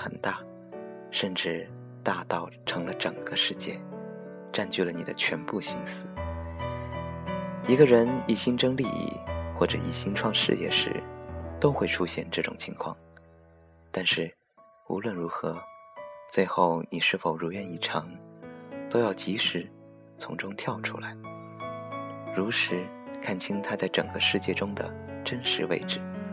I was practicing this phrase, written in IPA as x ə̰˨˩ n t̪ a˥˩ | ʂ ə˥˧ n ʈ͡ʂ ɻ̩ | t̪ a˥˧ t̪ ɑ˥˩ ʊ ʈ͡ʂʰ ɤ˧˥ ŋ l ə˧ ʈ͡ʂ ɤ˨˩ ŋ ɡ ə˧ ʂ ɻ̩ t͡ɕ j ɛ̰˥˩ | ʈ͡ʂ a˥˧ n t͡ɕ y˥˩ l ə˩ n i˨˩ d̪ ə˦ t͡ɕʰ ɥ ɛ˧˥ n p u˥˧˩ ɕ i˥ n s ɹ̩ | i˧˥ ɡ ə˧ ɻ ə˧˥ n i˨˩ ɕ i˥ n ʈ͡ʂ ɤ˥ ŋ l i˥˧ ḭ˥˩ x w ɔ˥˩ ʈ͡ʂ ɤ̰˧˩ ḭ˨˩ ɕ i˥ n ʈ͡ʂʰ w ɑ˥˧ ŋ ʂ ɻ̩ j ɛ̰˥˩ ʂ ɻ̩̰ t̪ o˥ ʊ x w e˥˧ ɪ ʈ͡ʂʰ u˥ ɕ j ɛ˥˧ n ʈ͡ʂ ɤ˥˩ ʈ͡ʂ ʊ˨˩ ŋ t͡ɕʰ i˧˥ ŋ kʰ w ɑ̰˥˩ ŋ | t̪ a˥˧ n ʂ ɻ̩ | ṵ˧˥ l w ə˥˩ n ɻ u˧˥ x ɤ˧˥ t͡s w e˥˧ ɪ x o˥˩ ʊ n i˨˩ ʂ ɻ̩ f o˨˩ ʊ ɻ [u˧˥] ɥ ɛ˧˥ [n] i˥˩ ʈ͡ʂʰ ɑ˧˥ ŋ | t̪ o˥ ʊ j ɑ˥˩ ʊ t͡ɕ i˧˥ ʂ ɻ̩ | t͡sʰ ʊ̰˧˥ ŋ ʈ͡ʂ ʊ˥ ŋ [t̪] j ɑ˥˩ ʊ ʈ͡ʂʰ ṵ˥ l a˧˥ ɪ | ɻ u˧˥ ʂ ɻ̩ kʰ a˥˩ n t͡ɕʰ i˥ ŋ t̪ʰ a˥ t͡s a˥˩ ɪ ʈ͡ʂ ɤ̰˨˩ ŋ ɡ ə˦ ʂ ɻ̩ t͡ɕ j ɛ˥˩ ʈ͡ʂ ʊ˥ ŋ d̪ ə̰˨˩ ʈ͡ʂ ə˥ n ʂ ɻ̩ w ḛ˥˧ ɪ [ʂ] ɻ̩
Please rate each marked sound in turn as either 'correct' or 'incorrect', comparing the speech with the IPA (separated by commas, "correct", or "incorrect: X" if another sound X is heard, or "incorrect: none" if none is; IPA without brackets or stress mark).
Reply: correct, correct, incorrect: t̪ʰ, incorrect: ʈ͡ʂ